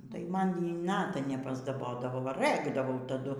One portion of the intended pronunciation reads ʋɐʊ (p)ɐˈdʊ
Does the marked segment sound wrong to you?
yes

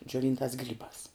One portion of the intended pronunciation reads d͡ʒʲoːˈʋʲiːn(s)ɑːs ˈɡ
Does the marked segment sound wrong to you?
yes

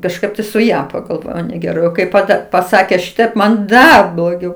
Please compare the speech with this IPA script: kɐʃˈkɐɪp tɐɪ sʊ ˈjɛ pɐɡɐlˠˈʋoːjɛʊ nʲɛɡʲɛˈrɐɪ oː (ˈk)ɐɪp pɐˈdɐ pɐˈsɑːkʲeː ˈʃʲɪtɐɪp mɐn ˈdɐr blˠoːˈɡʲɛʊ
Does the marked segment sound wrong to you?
no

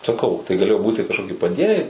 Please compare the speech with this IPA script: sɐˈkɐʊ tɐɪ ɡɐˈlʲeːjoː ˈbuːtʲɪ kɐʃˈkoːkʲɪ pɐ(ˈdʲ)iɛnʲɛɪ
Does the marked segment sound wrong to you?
no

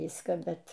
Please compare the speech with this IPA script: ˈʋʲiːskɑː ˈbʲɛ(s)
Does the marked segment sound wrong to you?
yes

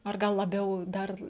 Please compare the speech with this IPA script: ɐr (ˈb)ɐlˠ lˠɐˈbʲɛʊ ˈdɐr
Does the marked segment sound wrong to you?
yes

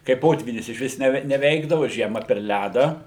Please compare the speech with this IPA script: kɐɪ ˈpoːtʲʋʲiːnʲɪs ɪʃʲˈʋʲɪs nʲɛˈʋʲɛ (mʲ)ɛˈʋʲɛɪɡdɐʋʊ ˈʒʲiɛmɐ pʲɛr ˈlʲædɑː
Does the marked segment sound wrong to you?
yes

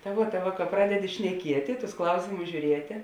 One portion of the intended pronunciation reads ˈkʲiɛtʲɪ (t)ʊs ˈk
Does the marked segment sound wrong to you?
no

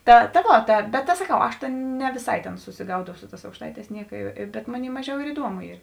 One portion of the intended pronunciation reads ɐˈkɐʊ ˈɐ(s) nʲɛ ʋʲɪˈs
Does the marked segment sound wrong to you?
yes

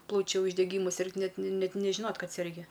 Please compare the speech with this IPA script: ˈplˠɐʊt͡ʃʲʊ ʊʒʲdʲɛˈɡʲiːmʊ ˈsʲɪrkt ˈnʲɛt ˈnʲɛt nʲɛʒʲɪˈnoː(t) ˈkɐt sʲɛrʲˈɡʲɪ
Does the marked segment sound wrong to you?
no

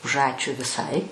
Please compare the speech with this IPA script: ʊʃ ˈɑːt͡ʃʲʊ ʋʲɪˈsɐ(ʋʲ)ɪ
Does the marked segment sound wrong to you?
yes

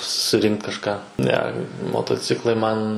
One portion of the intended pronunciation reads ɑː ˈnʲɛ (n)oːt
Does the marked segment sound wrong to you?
yes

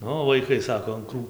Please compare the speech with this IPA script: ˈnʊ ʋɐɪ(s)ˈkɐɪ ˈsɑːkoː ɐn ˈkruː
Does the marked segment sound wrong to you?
yes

